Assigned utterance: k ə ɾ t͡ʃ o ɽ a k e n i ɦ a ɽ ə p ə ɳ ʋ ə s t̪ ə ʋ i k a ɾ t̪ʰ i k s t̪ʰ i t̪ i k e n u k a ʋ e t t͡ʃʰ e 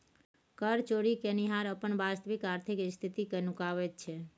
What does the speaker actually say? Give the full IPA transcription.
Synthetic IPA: k ə ɾ t͡ʃ o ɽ i k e n i ɦ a ɾ ə p ə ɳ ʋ a s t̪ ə ʋ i k a ɾ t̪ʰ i k s t̪ʰ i t̪ i k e n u k a ʋ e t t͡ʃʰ e